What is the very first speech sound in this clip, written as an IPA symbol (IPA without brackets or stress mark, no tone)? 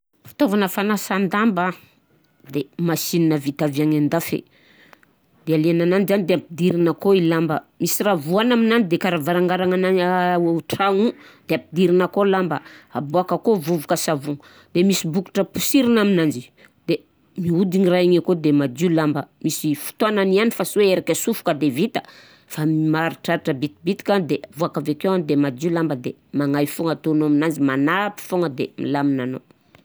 f